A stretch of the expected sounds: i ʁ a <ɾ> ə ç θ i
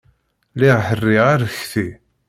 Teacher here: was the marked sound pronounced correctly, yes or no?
yes